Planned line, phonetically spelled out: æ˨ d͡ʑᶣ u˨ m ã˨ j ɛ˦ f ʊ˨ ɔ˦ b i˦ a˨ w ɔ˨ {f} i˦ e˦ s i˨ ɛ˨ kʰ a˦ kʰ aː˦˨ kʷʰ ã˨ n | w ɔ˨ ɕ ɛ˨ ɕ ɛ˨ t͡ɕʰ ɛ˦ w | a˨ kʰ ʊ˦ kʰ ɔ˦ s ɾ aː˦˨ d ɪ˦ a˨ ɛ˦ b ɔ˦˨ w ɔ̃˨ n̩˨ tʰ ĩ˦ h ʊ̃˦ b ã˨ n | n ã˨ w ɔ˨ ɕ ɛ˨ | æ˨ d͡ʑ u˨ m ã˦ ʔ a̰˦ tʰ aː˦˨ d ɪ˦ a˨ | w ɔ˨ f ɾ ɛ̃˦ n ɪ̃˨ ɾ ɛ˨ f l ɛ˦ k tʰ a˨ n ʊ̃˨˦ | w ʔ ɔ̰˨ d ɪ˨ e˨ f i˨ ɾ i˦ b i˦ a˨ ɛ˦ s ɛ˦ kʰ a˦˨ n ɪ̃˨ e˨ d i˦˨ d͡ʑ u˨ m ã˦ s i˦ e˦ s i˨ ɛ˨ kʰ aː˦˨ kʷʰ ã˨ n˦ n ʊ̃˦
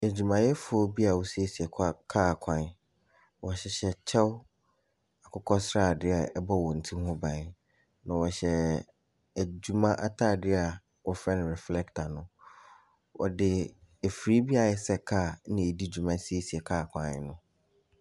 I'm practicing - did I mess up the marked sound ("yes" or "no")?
yes